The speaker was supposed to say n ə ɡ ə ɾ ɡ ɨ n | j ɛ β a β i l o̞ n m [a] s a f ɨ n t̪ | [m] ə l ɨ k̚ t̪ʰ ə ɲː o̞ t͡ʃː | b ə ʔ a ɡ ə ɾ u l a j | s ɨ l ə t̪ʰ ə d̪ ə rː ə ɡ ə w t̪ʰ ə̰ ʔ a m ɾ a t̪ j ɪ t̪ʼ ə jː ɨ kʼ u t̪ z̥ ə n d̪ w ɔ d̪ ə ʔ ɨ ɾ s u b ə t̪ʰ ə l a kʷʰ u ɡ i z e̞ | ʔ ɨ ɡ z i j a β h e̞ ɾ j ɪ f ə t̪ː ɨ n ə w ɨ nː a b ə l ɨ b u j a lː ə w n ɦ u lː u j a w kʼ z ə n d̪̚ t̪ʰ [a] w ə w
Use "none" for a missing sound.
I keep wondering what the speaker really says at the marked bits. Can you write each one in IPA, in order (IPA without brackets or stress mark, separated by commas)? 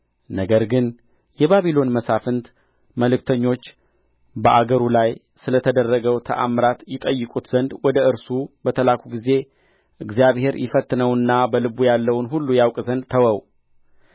ə, m, ə